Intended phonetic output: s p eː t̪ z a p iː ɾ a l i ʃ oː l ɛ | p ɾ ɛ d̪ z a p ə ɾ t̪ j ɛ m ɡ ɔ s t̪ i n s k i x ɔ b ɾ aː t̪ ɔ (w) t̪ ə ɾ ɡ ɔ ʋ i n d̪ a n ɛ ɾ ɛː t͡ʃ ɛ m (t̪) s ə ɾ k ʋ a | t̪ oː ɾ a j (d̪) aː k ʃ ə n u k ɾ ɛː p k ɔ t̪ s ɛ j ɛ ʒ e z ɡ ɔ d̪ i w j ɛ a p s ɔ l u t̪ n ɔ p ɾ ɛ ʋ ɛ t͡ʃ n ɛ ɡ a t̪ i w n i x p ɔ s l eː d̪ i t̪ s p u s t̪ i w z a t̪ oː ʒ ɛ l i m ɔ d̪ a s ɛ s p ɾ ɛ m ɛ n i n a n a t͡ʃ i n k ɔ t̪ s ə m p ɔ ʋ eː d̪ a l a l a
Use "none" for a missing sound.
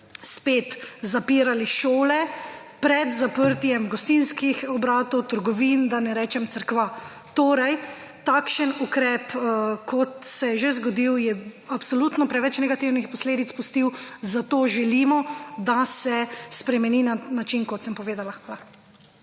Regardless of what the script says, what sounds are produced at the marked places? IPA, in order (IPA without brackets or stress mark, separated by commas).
w, t̪, t̪